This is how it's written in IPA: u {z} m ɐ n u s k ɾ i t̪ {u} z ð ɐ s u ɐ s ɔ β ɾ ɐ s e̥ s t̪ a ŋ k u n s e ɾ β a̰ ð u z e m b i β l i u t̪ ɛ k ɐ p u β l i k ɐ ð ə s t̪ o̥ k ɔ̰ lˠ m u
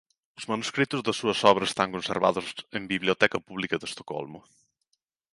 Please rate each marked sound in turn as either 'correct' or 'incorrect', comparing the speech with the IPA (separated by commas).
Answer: correct, correct